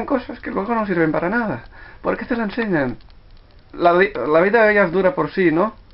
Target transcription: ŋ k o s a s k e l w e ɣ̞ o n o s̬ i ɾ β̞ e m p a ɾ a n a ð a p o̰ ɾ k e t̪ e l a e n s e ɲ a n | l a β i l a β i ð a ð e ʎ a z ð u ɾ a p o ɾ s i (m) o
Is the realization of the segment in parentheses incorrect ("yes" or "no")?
yes